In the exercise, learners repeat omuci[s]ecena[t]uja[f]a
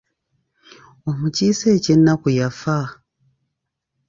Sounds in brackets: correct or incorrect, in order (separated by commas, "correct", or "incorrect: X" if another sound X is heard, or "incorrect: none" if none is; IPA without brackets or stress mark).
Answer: correct, incorrect: k, correct